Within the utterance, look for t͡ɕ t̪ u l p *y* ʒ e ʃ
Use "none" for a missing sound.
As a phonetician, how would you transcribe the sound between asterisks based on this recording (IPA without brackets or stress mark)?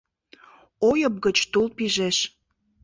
i